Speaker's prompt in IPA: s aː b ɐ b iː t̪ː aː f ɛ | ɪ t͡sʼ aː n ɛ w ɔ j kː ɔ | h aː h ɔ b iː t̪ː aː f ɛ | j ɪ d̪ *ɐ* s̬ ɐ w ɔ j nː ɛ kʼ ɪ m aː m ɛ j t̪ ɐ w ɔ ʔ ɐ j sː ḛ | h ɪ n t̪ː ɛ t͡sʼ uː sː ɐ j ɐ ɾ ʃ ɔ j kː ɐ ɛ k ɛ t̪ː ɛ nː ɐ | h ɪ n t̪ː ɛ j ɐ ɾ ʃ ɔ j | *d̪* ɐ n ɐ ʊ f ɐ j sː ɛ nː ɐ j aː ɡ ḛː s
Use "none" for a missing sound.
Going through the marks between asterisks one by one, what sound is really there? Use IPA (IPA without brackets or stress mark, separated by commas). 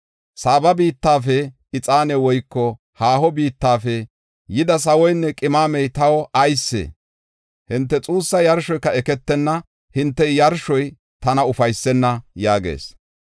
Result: ɐ, t̪